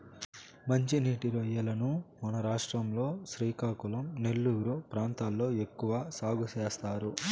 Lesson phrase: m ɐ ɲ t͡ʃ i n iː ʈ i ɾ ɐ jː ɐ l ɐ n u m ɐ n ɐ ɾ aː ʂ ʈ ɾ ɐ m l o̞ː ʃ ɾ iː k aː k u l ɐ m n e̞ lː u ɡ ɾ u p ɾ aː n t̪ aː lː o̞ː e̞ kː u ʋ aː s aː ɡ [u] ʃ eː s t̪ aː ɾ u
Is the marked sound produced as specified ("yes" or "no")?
yes